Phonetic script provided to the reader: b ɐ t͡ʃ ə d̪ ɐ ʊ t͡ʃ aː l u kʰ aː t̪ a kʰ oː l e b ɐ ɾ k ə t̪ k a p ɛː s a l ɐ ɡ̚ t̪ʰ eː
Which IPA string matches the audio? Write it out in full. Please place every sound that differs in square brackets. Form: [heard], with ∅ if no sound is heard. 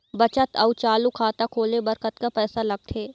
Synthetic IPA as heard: b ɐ t͡ʃ ə [t̪] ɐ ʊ t͡ʃ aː l u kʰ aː t̪ a kʰ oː l e b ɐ ɾ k ə t̪ k a p ɛː s a l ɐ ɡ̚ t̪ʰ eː